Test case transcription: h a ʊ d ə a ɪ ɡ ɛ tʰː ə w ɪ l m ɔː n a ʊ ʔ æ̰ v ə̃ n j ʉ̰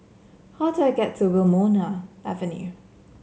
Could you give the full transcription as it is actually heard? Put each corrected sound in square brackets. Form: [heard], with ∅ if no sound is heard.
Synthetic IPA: h a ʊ d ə a ɪ ɡ ɛ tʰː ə w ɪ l m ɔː n a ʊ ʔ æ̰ v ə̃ n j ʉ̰